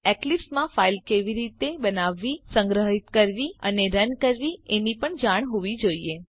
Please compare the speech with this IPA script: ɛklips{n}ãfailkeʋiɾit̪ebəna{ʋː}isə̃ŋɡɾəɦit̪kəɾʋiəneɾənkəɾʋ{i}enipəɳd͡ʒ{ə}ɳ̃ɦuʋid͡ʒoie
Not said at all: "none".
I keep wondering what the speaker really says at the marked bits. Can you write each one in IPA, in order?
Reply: m, ʋː, i, a

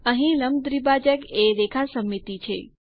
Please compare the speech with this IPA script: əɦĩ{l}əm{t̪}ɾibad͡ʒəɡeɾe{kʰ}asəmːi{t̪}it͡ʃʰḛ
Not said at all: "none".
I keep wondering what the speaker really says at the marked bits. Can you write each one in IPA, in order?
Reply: l, d̪, kʰ, t̪

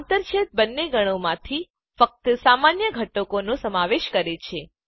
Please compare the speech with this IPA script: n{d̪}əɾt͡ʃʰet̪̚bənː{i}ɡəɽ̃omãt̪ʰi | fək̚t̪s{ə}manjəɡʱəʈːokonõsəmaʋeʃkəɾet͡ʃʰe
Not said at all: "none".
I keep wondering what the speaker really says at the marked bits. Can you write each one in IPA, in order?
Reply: t̪, e, a

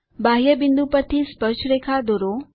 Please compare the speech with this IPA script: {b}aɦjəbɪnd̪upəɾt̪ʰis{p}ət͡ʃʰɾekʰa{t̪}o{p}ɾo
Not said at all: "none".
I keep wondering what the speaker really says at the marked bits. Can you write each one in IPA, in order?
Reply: b, p, d̪, none

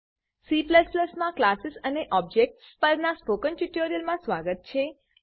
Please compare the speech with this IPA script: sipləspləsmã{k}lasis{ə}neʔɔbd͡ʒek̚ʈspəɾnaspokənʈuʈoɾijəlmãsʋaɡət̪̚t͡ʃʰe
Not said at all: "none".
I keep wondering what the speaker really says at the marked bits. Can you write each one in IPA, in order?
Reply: k, ə

